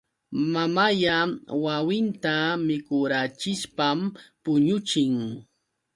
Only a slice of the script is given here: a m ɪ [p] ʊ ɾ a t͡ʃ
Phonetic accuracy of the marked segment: incorrect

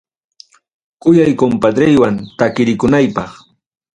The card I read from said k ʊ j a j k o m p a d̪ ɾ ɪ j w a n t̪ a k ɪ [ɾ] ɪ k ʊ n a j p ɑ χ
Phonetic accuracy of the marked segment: correct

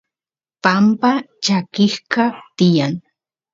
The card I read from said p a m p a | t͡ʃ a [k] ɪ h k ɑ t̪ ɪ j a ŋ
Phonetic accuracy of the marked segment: correct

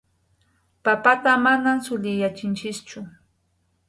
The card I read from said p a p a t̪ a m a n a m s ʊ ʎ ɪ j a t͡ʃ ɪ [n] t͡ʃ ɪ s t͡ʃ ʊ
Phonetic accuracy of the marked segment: correct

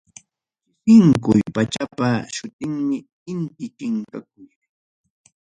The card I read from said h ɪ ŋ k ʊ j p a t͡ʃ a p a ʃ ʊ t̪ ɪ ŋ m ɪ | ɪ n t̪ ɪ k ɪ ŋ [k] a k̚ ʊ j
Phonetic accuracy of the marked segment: correct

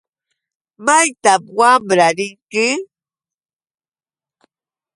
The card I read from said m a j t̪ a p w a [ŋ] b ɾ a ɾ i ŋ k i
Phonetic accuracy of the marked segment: incorrect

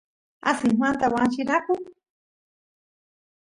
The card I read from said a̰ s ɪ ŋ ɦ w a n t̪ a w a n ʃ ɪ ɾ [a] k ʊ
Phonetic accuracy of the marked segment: correct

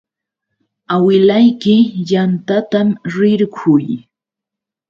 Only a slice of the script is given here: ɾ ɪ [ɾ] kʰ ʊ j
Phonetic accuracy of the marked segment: correct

